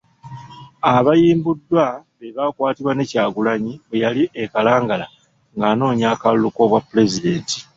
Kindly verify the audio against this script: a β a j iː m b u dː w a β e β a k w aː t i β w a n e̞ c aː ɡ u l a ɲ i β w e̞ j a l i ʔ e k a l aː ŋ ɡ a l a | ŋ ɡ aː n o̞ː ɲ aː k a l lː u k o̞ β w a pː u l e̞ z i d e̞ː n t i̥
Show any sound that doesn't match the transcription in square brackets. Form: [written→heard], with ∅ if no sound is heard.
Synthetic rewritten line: a β a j iː m b u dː w a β e β a k w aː t i β w a n e̞ c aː ɡ u l a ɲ i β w e̞ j a l i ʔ e k a l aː ŋ ɡ a l a | ŋ ɡ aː n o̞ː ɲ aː k a l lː u k o̞ β w a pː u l e̞ z i d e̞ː n t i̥